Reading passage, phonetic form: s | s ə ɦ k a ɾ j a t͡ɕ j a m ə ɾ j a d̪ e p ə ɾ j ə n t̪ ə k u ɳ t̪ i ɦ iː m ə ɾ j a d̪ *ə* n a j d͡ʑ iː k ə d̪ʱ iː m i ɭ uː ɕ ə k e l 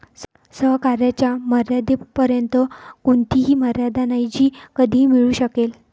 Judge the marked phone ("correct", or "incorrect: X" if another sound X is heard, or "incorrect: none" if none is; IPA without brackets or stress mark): incorrect: a